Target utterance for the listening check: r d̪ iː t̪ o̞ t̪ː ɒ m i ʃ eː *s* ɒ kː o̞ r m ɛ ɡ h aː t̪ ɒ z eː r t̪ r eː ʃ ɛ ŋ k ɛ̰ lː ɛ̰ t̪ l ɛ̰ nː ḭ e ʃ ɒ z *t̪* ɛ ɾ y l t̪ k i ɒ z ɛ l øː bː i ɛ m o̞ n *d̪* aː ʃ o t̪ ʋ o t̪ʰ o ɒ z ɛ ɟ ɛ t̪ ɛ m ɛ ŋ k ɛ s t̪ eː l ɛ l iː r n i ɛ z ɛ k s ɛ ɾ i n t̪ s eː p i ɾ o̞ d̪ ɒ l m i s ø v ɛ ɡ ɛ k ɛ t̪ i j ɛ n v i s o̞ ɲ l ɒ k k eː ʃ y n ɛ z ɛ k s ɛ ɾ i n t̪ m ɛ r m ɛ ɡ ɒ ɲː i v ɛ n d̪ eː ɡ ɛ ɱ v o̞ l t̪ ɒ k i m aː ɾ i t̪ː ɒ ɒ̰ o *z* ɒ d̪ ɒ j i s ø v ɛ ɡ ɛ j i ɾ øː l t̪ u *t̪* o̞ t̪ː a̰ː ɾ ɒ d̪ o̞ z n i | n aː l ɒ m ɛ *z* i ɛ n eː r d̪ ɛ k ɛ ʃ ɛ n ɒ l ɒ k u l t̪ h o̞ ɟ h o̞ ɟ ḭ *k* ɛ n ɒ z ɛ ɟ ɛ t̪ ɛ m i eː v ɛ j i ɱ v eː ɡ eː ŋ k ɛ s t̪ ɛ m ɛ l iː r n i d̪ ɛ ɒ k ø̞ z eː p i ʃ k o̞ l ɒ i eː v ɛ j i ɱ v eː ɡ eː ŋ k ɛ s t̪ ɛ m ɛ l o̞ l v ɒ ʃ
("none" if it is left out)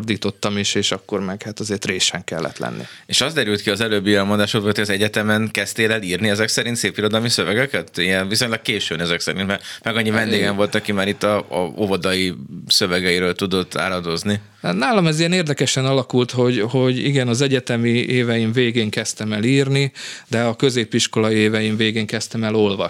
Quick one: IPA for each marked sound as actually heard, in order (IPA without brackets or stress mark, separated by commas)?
ʃ, d̪, d̪, v, d̪, z, ɡ